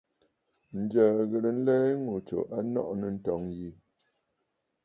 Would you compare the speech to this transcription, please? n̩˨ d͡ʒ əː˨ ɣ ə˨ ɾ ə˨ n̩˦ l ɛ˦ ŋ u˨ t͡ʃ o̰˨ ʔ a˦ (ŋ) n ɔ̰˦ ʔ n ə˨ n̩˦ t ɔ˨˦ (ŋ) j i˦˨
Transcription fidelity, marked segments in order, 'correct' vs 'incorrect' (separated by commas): incorrect, correct